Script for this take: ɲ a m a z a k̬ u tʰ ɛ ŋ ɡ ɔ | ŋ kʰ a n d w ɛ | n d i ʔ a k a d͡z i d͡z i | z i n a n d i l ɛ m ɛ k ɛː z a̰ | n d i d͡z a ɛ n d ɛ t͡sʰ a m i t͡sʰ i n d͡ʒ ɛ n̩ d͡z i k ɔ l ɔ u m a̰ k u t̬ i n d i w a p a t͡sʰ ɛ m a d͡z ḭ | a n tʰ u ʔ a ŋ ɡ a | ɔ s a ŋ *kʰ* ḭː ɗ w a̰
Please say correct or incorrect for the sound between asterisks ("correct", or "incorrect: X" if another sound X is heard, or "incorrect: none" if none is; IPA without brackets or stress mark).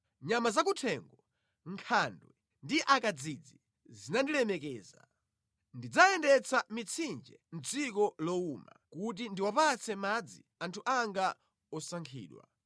correct